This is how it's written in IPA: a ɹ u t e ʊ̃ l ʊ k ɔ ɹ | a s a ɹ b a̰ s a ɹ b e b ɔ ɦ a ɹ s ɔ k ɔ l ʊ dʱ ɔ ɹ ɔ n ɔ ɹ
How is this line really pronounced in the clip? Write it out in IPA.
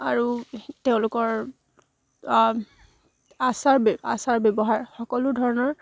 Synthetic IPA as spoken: a ɹ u t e ʊ̃ l ʊ k ɔ ɹ | a s a ɹ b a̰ s a ɹ b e b ɔ ɦ a ɹ x ɔ k ɔ l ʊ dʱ ɔ ɹ ɔ n ɔ ɹ